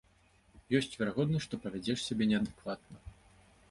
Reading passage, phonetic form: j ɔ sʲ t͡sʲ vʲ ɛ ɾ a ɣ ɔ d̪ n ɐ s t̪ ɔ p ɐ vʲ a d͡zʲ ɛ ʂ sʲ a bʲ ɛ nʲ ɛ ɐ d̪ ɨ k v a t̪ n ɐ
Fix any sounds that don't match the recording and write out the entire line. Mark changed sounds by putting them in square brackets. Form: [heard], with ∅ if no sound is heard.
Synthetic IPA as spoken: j ɔ sʲ t͡sʲ vʲ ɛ ɾ a ɣ ɔ d̪ n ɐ [ʂ] t̪ ɔ p ɐ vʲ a d͡zʲ ɛ ʂ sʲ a bʲ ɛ nʲ ɛ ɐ d̪ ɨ k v a t̪ n ɐ